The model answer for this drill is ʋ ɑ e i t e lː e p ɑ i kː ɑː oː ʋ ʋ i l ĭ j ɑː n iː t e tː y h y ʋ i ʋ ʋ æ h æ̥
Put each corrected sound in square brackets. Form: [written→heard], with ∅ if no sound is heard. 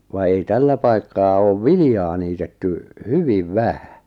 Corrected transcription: ʋ ɑ e i t [e→æ] lː [e→æ] p ɑ i kː ɑː oː ʋ ʋ i l ĭ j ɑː n iː t e tː y h y ʋ i ʋ ʋ æ h æ̥

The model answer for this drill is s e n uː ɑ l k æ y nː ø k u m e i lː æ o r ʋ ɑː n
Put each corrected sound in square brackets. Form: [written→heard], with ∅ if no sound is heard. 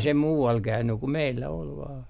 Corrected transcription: s e [n→m] uː ɑ l k æ y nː [ø→y] k u m e i lː æ o [r→l] ʋ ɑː n

